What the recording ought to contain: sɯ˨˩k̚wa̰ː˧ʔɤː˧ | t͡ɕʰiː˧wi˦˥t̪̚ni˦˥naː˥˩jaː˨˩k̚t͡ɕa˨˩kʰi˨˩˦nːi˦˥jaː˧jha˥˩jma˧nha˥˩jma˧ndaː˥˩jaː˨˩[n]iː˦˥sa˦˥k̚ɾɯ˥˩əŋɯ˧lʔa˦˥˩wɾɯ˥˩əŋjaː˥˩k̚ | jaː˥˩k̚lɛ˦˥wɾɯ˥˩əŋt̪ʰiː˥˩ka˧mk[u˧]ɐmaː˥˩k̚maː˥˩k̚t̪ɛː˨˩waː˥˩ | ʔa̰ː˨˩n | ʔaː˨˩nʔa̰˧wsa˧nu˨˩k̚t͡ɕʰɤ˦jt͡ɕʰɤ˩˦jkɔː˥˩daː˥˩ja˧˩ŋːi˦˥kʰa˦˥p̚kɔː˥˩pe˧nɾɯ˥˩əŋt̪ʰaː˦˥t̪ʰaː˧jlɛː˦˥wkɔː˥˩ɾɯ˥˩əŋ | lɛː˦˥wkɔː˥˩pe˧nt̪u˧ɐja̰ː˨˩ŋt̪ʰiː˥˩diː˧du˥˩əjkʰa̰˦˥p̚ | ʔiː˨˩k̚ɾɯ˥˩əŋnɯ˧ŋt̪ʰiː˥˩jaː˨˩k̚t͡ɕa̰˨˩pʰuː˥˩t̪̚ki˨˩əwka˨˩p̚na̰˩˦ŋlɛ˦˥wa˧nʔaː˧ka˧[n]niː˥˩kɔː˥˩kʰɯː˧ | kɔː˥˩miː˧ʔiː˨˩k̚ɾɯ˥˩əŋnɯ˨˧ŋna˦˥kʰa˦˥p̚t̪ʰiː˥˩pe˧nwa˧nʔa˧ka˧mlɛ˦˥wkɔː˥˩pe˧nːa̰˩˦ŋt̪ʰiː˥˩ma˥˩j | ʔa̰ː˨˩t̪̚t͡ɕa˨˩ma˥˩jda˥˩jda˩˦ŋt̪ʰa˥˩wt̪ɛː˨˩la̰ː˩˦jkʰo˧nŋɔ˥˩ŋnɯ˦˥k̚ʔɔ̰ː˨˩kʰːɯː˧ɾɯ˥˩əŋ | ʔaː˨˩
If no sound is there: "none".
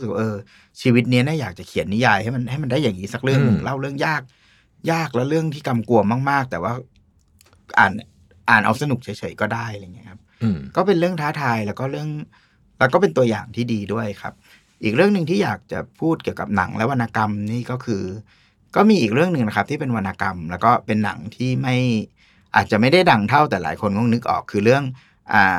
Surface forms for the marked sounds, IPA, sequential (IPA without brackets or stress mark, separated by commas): ŋ, u˧, m